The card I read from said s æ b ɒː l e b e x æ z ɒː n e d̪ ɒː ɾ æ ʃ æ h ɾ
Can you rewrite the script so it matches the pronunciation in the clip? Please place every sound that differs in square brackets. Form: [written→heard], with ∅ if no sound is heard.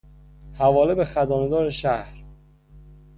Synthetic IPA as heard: [s→h] æ [b→v] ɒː l e b e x æ z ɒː n e d̪ ɒː ɾ [æ→e] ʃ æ h ɾ